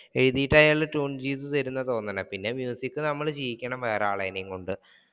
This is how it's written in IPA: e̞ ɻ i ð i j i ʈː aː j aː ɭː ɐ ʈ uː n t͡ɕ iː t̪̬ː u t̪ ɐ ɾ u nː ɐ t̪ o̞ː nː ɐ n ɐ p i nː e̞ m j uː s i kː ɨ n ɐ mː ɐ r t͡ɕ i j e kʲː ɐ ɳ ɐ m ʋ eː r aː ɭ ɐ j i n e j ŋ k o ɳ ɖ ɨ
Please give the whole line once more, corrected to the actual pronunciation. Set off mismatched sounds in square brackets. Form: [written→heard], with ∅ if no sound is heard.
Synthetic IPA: e̞ ɻ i ð i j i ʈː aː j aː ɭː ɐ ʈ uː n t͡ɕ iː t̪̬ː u t̪ ɐ ɾ u nː ɐ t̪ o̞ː nː ɐ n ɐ p i nː e̞ m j uː s i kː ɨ n ɐ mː ɐ [r→ɭ] t͡ɕ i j [e→i] kʲː ɐ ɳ ɐ m ʋ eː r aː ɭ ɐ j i n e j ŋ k o ɳ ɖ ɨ

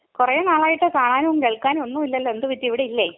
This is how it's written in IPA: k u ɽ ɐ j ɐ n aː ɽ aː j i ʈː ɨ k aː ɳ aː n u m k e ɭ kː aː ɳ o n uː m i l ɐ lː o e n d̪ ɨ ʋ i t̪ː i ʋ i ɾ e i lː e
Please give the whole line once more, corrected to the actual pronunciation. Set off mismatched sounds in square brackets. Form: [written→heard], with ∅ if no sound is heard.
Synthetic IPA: k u [ɽ→r] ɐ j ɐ n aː [ɽ→ɭ] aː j i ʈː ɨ k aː ɳ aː n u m k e ɭ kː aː [ɳ→n] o [n→nː] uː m i [l→lː] ɐ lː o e n d̪ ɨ ʋ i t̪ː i ʋ i [ɾ→ɽ] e i lː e

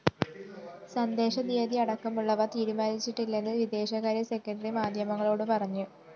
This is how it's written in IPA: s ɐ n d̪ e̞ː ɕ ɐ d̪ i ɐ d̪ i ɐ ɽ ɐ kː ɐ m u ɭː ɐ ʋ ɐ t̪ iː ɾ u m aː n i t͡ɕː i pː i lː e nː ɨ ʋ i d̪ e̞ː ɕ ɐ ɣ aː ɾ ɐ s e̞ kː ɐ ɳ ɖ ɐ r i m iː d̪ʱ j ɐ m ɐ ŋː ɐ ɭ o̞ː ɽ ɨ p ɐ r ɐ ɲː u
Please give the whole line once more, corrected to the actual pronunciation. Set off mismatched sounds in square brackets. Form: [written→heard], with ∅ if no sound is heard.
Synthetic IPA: s ɐ n d̪ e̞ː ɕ ɐ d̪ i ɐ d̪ i ɐ ɽ ɐ kː ɐ m u ɭː ɐ ʋ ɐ t̪ iː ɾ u m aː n i t͡ɕː i [pː→ʈː] i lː e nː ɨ ʋ i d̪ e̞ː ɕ ɐ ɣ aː ɾ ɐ s e̞ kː ɐ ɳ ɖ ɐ r i m [iː→aː] d̪ʱ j ɐ m ɐ ŋː ɐ ɭ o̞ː ɽ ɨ p ɐ r ɐ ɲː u

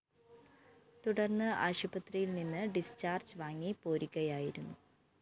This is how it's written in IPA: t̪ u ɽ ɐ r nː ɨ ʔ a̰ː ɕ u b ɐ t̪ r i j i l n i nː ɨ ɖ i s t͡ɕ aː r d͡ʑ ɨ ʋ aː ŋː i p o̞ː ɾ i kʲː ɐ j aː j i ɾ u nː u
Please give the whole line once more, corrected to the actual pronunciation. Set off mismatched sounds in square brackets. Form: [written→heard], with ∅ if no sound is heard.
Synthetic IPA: t̪ u ɽ ɐ r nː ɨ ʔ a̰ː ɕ u b ɐ t̪ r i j i l n i nː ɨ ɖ i s t͡ɕ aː r d͡ʑ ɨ ʋ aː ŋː i p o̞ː ɾ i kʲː ɐ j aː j i ɾ u nː u

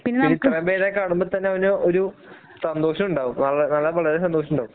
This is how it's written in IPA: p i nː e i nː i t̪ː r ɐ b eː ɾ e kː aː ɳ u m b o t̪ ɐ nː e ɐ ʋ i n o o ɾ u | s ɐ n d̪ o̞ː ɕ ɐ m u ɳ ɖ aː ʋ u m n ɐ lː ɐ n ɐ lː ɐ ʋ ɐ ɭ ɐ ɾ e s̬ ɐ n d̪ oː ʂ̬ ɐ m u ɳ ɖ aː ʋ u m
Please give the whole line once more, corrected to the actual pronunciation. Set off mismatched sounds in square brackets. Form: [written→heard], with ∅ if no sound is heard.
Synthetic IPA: p i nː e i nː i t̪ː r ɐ b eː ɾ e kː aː ɳ u m b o t̪ ɐ nː e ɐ ʋ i n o o ɾ u | s ɐ n d̪ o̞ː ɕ ɐ m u ɳ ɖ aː ʋ u m n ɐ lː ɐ n ɐ lː ɐ ʋ ɐ ɭ ɐ ɾ e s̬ ɐ n d̪ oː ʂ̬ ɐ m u ɳ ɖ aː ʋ u m

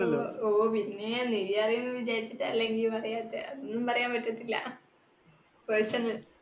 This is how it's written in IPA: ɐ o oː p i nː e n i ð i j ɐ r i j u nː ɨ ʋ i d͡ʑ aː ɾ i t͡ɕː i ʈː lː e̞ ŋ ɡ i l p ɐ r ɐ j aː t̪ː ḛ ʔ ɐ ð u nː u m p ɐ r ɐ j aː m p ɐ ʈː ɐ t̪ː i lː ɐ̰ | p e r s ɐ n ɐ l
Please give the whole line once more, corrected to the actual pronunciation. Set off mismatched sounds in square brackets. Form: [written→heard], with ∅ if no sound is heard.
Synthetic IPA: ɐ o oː p i nː e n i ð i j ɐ r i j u nː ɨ ʋ i d͡ʑ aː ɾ i t͡ɕː i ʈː lː e̞ ŋ ɡ i l p ɐ r ɐ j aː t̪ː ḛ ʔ ɐ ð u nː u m p ɐ r ɐ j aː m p ɐ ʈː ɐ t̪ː i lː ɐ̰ | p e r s ɐ n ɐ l

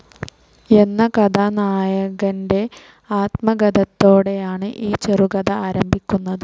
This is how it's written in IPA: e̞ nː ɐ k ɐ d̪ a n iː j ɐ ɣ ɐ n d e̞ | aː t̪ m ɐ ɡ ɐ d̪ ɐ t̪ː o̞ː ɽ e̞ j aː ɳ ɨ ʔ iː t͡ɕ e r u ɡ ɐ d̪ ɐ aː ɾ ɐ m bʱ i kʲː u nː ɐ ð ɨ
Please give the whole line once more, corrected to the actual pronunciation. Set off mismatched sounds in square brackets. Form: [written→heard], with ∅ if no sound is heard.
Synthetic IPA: e̞ nː ɐ k ɐ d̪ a n [iː→aː] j ɐ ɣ ɐ n d e̞ | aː t̪ m ɐ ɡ ɐ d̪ ɐ t̪ː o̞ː ɽ e̞ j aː ɳ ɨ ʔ iː t͡ɕ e r u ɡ ɐ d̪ ɐ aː ɾ ɐ m bʱ i kʲː u nː ɐ ð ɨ

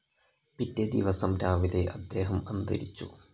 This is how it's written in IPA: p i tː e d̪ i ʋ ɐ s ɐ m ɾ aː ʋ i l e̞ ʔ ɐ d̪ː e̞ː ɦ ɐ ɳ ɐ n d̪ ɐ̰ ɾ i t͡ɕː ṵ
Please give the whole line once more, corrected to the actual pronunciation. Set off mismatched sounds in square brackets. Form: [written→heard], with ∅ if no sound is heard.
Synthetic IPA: p i tː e d̪ i ʋ ɐ s ɐ m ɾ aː ʋ i l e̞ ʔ ɐ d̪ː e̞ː ɦ ɐ [ɳ→m] ɐ n d̪ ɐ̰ ɾ i t͡ɕː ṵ

